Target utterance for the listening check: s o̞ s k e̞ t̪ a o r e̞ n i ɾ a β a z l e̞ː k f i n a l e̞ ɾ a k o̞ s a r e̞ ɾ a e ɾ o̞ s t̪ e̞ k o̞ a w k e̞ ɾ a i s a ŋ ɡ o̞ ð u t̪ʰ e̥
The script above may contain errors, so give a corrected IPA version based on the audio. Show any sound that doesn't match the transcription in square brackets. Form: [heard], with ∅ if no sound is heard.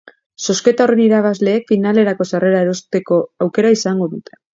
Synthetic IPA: s o̞ s k e̞ t̪ a o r e̞ n i ɾ a β a z l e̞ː k f i n a l e̞ ɾ a k o̞ s a r e̞ ɾ a e ɾ o̞ s t̪ e̞ k o̞ a w k e̞ ɾ a i s a ŋ ɡ o̞ ð u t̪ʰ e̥